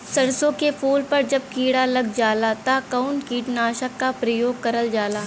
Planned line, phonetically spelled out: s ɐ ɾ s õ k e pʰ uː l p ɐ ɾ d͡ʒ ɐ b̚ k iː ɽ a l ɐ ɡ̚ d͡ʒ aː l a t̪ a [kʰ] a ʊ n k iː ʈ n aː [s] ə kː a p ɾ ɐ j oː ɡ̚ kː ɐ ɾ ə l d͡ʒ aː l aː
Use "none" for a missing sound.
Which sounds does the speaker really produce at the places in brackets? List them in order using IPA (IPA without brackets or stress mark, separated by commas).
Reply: k, ʃ